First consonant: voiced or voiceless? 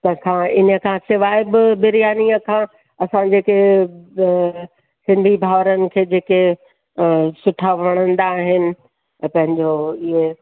voiceless